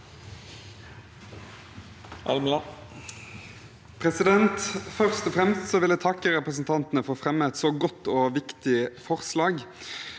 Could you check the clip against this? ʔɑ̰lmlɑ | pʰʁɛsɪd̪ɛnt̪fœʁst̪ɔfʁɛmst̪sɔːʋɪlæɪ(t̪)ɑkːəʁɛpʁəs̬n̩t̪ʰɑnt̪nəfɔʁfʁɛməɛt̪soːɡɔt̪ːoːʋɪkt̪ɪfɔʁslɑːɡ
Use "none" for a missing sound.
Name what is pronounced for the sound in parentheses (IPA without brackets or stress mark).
t̪ʰ